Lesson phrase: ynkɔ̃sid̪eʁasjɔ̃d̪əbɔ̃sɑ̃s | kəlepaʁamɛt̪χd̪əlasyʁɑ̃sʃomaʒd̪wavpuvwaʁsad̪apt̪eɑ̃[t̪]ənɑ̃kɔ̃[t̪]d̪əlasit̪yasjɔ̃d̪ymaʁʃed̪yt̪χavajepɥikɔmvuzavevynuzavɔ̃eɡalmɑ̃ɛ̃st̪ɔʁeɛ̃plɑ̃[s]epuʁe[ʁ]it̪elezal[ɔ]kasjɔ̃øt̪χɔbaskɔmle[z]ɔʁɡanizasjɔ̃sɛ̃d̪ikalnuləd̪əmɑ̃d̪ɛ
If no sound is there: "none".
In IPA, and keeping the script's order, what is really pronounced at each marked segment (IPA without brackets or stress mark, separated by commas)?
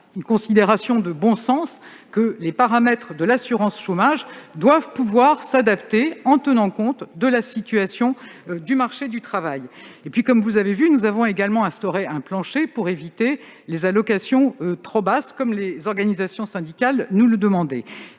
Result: t̪, t̪, ʃ, v, ɔ, z